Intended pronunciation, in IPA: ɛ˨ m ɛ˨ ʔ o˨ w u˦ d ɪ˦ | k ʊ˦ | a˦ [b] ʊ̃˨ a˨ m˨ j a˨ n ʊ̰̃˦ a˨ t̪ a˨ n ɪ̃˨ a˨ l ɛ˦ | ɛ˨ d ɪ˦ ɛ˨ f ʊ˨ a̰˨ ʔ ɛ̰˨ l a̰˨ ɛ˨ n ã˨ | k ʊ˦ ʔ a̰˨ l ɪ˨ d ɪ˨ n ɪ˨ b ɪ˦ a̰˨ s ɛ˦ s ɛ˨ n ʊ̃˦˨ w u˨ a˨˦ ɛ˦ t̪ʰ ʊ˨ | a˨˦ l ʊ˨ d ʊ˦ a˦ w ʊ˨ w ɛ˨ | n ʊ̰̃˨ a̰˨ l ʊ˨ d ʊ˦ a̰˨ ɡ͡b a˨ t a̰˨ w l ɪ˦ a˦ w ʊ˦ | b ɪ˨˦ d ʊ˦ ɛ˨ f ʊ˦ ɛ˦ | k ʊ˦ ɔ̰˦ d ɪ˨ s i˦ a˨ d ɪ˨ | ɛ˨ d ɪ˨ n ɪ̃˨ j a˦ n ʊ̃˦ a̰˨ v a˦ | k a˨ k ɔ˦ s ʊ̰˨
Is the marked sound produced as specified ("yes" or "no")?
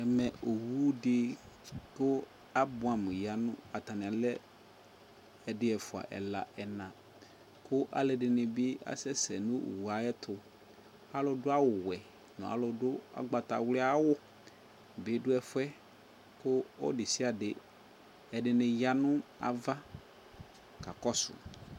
yes